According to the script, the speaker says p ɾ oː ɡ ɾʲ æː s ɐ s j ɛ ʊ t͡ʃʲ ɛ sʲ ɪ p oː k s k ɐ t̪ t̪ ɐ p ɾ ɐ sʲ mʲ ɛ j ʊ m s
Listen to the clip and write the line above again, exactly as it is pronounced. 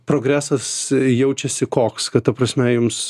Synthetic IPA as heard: p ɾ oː ɡ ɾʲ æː s ɐ s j ɛ ʊ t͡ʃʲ ɛ sʲ ɪ k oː k s k ɐ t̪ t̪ ɐ p ɾ ɐ sʲ mʲ ɛ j ʊ m s

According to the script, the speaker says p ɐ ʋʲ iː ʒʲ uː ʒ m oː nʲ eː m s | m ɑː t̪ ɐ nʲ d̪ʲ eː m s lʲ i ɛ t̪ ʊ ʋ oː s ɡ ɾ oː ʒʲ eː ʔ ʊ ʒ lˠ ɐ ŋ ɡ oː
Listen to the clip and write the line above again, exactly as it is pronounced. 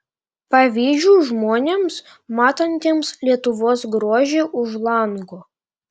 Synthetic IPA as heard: p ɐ ʋʲ iː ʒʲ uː ʒ m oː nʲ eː m s | m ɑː t̪ ɐ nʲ t̪ʲ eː m s lʲ i ɛ t̪ ʊ ʋ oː s ɡ ɾ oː ʒʲ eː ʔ ʊ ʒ lˠ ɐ ŋ ɡ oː

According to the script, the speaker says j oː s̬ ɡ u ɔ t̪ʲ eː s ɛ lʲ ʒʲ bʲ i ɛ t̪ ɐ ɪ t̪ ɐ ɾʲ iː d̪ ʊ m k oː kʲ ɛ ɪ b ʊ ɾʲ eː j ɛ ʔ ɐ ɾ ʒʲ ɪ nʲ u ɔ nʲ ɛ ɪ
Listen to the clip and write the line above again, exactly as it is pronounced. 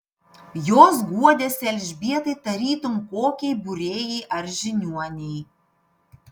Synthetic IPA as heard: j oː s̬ ɡ u ɔ d̪ʲ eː s ɛ lʲ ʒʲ bʲ i ɛ t̪ ɐ ɪ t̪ ɐ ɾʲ iː t̪ ʊ m k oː kʲ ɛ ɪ b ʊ ɾʲ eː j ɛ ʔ ɐ ɾ ʒʲ ɪ nʲ u ɔ nʲ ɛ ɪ

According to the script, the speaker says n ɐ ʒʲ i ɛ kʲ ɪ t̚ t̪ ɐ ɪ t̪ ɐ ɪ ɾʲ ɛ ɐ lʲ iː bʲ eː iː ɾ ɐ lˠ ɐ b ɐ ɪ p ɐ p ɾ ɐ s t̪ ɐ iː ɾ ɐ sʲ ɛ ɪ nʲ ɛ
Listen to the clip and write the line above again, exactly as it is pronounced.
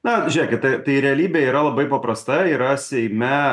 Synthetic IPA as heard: n ɐ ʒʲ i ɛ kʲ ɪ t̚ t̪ ɐ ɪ t̪ ɐ ɪ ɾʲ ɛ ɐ lʲ iː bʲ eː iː ɾ ɐ lˠ ɐ b ɐ ɪ p ɐ p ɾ ɐ s t̪ ɐ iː ɾ ɐ sʲ ɛ ɪ mʲ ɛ

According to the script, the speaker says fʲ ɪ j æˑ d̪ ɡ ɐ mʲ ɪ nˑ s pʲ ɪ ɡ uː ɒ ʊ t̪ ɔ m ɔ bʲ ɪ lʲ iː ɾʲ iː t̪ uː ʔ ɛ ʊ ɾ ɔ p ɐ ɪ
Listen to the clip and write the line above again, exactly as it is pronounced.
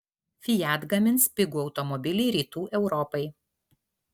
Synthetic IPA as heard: fʲ ɪ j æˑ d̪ ɡ ɐ mʲ ɪ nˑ s pʲ ɪ ɡ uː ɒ ʊ t̪ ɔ m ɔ bʲ ɪ lʲ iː ɾʲ iː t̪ uː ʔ ɛ ʊ ɾ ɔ p ɐ ɪ

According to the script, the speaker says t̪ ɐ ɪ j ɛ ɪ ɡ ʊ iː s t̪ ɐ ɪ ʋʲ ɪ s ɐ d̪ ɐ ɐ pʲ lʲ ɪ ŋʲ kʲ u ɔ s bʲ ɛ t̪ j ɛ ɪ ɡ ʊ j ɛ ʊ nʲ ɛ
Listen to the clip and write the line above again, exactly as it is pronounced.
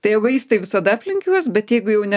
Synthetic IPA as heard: t̪ ɐ ɪ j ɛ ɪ ɡ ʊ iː s t̪ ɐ ɪ ʋʲ ɪ s ɐ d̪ ɐ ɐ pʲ lʲ ɪ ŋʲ kʲ u ɔ s bʲ ɛ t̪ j ɛ ɪ ɡ ʊ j ɛ ʊ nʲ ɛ

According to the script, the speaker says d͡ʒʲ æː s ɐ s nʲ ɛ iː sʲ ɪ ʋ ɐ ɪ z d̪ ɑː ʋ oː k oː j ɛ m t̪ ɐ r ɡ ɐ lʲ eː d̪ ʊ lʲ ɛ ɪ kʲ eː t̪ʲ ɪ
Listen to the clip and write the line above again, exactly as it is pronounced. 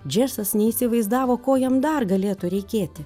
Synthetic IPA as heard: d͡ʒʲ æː s ɐ s nʲ ɛ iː sʲ ɪ ʋ ɐ ɪ z d̪ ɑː ʋ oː k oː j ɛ m d̪ ɐ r ɡ ɐ lʲ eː t̪ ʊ ɾʲ ɛ ɪ kʲ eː t̪ʲ ɪ

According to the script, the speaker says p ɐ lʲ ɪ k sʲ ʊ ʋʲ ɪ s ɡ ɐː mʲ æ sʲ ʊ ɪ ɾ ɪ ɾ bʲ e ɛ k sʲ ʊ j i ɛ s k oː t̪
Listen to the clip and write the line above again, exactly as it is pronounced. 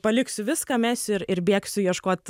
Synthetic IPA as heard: p ɐ lʲ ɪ k sʲ ʊ ʋʲ ɪ s k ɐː mʲ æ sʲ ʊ ɪ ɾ ɪ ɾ bʲ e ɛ k sʲ ʊ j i ɛ ʃ k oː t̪

